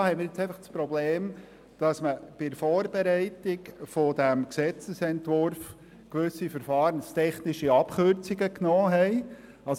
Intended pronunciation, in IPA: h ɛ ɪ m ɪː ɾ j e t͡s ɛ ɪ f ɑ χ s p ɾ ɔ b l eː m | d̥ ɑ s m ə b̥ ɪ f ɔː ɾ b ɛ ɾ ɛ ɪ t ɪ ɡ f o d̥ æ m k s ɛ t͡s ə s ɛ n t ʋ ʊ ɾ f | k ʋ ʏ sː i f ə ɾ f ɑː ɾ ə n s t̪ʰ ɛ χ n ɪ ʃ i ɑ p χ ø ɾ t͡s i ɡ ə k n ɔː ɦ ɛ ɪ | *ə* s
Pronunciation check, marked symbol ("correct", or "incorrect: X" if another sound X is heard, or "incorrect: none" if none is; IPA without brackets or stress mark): incorrect: ɑ